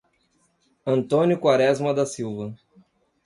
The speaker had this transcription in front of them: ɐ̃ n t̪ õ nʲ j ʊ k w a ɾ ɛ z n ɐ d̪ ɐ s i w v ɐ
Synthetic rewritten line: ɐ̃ n t̪ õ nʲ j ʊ k w a ɾ ɛ z m ɐ d̪ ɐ s i w v ɐ